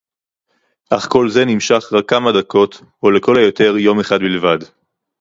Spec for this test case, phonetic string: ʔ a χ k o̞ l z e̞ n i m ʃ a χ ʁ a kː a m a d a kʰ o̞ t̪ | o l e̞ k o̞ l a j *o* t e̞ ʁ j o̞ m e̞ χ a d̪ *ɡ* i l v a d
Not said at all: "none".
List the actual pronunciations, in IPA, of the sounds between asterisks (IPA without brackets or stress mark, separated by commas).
o, b